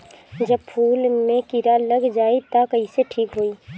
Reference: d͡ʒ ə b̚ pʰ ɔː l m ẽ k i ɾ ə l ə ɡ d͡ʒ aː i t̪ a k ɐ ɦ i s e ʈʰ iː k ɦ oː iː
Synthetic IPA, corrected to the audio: d͡ʒ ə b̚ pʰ uː l m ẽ k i ɾ a l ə ɡ d͡ʒ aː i t̪ a k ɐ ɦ i s e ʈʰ iː k ɦ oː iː

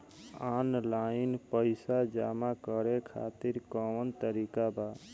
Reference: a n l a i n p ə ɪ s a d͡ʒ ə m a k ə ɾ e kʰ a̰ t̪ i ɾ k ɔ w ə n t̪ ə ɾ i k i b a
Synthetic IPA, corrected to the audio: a n l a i n p ə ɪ s a d͡ʒ a m a k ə ɾ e kʰ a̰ t̪ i ɾ k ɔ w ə n t̪ ə ɾ i k a b a

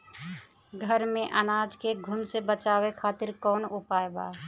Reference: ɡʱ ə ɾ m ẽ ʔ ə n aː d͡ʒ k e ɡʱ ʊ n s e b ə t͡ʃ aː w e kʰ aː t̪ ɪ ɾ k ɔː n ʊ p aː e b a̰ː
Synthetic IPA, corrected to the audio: ɡʱ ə ɾ m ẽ ʔ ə n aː d͡ʒ k e ɡʱ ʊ n s e b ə t͡ʃ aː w e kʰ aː t̪ ɪ ɾ k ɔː n ʊ p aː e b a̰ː

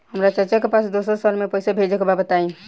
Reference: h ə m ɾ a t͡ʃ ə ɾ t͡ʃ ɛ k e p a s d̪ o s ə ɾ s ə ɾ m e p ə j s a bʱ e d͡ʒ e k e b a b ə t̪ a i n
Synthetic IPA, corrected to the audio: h ə m ɾ a t͡ʃ ə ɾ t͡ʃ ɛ k e p a s d̪ o s ə ɾ s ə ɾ m e p ə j s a bʱ e d͡ʒ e k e b a b ə t̪ a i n

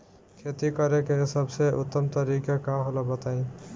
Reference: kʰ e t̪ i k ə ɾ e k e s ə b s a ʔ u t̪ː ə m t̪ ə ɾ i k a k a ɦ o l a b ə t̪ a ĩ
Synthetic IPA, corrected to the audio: kʰ e t̪ i k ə ɾ e k e s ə b s e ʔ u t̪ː ə m t̪ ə ɾ i k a k a ɦ o l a b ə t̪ a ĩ

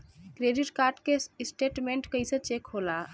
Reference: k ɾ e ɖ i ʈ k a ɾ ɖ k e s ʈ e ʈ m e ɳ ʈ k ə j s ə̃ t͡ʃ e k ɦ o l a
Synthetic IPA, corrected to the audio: k ɾ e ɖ i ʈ k a ɾ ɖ k e s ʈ e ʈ m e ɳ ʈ k ə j s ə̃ t͡ʃ e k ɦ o l a

